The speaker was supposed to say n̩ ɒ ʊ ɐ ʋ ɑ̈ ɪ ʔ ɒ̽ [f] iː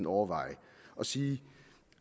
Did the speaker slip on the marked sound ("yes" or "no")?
yes